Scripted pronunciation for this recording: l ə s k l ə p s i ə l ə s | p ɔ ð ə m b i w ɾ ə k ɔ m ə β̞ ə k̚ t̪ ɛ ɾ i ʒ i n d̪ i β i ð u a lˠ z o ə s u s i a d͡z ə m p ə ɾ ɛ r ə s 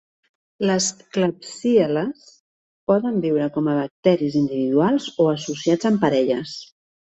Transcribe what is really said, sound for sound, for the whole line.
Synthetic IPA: l ə s k l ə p s i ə l ə s | p ɔ ð ə m b i w ɾ ə k ɔ m ə β̞ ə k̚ t̪ ɛ ɾ i z i n d̪ i β i ð u a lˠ z o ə s u s i a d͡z ə m p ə ɾ ɛ ʎ ə s